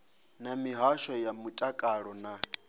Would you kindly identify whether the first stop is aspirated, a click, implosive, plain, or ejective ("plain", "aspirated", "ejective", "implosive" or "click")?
ejective